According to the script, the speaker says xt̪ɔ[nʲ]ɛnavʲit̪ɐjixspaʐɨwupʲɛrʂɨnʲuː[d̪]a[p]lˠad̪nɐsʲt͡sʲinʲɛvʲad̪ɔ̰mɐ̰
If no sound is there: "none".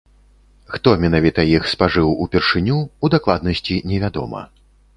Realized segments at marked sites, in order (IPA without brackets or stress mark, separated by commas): mʲ, d̪, k